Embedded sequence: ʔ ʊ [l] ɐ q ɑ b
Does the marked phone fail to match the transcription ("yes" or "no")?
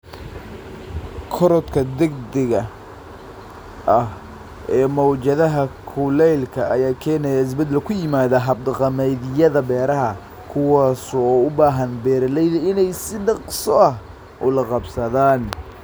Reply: no